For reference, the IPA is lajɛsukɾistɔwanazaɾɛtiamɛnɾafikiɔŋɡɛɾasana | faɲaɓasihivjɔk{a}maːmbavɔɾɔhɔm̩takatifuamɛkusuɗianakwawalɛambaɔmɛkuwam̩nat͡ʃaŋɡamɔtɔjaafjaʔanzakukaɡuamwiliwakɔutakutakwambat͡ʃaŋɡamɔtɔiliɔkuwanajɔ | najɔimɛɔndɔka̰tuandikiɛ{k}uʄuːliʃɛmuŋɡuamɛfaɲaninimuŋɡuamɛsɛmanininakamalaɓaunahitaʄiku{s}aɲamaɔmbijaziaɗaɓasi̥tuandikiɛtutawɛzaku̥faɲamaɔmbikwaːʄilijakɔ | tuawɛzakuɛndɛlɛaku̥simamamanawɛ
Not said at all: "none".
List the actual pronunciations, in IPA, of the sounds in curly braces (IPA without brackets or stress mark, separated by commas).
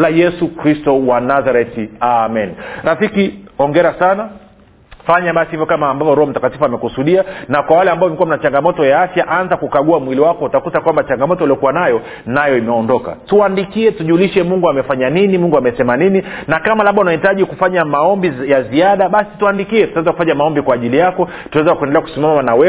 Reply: a, t, f